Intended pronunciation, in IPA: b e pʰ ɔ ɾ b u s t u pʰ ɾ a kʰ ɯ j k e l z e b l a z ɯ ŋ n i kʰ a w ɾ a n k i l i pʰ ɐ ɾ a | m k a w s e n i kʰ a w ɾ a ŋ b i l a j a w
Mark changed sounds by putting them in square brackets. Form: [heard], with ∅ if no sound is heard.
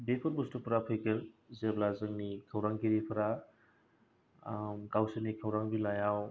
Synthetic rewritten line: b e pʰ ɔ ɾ b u s t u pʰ ɾ a [pʰ] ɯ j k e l z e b l a z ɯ ŋ n i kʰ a w ɾ a [ŋ] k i [ɾ] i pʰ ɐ ɾ a | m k a w s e n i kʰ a w ɾ a ŋ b i l a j a w